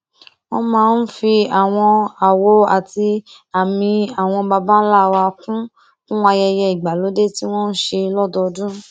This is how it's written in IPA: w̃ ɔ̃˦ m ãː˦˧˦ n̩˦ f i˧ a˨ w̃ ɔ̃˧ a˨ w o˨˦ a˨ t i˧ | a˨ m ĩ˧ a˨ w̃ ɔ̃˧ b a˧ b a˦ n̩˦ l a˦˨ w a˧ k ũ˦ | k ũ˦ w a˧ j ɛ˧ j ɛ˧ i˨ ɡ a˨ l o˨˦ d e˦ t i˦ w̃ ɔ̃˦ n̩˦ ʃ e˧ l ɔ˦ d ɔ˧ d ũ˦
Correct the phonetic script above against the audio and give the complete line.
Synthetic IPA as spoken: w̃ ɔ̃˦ m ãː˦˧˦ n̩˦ f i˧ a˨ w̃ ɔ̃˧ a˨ w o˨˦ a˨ t i˧ | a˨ m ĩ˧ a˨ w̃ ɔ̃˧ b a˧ b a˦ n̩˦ l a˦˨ w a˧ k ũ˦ | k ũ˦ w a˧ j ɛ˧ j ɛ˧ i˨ ɡ͡b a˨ l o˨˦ d e˦ t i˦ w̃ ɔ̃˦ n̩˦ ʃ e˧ l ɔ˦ d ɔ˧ d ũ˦